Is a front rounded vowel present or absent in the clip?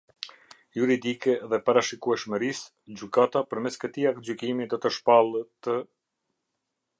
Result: present